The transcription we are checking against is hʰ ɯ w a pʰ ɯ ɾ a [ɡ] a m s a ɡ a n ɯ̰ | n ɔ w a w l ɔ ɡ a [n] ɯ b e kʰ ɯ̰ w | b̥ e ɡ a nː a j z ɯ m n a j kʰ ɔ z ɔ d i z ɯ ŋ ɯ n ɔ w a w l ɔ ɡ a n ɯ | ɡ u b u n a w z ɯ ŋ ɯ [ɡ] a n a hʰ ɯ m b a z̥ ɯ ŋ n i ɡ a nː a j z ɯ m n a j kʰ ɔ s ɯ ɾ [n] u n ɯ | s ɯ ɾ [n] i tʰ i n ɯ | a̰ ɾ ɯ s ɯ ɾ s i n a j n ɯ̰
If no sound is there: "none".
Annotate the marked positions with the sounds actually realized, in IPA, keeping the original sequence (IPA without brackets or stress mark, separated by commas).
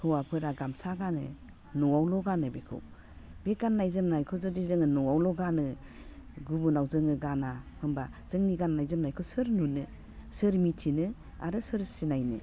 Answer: ɡ, n, ɡ, n, m